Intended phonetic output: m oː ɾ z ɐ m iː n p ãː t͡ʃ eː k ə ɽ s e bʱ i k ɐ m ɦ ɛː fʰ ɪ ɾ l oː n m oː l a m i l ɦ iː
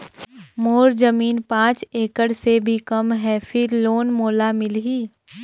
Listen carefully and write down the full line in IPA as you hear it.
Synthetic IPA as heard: m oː ɾ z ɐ m iː n p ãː t͡ʃ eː k ə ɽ s e bʱ i k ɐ m ɦ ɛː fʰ ɪ ɾ l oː n m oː l a m ɪ l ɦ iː